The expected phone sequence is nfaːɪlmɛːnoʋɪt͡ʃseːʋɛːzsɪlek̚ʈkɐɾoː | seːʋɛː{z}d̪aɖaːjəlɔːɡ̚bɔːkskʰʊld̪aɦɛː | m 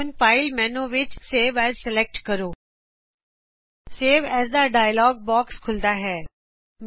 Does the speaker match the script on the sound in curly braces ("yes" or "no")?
yes